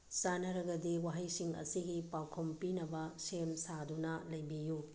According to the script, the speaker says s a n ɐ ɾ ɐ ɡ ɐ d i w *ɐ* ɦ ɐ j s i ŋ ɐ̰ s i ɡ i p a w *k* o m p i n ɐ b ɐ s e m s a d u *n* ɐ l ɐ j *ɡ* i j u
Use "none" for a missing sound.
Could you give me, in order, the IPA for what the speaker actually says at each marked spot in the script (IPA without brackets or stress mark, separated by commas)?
a, kʰ, n, b